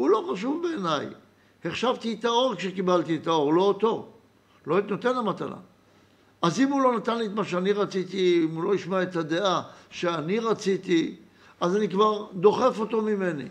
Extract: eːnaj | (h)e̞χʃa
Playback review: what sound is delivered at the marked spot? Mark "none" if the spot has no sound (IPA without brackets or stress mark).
h